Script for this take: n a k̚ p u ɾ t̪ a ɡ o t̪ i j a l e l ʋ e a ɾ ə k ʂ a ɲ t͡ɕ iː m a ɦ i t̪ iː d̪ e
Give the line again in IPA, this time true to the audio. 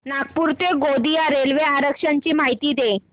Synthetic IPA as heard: n a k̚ p u ɾ t̪ e ɡ o d̪ i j a ɾ e l ʋ e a ɾ ə k ʂ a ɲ t͡ɕ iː m a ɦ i t̪ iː d̪ e